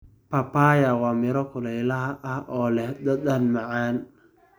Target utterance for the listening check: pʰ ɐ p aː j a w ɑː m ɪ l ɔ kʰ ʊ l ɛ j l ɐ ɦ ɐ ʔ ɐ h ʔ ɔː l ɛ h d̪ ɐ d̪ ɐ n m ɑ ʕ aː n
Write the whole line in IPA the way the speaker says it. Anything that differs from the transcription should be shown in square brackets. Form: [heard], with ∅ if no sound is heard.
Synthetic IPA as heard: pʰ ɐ p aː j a w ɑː m ɪ [ɾ] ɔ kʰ ʊ l ɛ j l ɐ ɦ ɐ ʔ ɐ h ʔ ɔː l ɛ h d̪ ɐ d̪ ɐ n m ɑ ʕ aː n